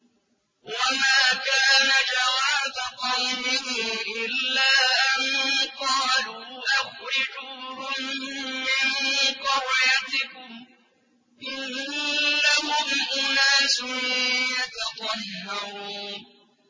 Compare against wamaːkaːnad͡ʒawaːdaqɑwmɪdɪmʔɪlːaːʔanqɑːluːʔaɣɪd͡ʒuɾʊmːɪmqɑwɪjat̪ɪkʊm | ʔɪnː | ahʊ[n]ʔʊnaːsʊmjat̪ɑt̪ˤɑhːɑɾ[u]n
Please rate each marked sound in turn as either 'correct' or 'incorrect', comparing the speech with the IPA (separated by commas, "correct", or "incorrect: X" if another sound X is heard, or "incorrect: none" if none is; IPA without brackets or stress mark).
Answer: incorrect: m, incorrect: uː